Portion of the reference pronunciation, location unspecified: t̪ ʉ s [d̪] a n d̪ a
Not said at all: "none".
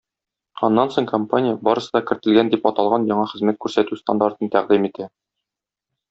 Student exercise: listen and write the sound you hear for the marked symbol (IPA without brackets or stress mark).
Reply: t̪